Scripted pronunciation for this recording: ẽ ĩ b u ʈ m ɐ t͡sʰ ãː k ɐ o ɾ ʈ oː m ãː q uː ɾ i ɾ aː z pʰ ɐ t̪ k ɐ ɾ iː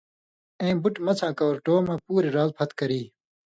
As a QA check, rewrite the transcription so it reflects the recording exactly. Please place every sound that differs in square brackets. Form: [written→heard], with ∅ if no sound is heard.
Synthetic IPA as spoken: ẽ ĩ b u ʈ m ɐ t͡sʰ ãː k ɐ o ɾ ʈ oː m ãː [q→p] uː ɾ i ɾ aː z pʰ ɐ t̪ k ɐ ɾ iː